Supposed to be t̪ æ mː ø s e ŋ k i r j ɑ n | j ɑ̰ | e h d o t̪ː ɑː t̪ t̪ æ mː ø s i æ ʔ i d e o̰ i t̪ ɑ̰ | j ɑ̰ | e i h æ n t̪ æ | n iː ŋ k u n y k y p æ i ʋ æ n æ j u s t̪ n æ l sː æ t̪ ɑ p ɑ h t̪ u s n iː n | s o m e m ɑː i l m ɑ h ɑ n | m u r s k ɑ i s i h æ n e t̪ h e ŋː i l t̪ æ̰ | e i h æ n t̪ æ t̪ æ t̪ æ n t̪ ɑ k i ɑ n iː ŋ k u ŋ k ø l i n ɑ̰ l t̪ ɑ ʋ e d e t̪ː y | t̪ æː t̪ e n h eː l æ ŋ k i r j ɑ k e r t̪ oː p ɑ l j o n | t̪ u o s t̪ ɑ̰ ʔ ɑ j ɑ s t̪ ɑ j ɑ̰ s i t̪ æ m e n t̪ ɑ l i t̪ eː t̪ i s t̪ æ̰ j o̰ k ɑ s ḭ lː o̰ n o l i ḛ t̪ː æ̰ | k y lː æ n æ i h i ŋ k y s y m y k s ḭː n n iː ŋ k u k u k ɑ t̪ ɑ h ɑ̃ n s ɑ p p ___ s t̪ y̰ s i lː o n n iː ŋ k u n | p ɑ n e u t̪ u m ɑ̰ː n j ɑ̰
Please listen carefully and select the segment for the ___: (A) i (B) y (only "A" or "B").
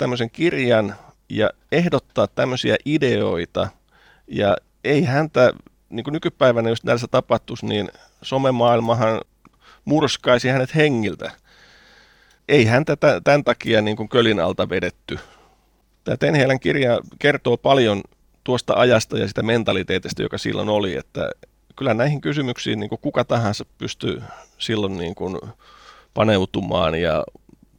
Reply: B